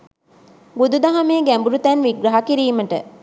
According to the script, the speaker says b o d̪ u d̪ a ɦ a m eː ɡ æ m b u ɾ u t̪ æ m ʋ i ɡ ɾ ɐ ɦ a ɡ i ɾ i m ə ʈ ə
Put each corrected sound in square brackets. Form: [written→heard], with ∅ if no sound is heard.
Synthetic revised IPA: b [o→u] d̪ u d̪ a ɦ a m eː ɡ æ m b u ɾ u t̪ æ [m→n] ʋ i ɡ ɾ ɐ ɦ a [ɡ→k] i ɾ [i→iː] m ə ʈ ə